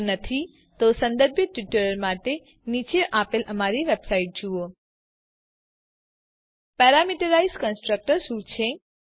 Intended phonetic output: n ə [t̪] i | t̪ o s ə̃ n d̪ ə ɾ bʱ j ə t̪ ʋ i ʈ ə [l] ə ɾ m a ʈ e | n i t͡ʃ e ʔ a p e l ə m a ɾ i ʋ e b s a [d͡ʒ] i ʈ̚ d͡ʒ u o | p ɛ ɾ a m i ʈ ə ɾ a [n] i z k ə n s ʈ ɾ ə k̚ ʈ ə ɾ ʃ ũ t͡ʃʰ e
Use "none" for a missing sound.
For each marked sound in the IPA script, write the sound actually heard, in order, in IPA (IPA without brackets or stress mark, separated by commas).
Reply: t̪ʰ, ɾ, none, none